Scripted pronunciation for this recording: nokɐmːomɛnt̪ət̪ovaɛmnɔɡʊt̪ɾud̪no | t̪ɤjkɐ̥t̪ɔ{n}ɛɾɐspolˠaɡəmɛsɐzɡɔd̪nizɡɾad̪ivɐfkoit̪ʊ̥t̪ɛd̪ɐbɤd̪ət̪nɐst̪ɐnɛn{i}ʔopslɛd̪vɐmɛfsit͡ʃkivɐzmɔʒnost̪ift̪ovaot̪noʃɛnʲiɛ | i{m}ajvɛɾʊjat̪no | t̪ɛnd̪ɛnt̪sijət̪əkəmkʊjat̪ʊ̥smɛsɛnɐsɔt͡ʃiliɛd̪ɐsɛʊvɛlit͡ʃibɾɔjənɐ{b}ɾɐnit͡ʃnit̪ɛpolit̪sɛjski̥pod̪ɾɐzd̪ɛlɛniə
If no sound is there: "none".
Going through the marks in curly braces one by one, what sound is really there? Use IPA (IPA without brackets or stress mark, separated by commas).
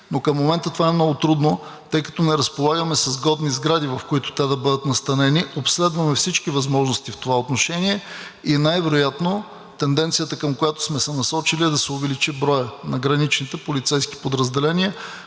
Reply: n, i, n, ɡ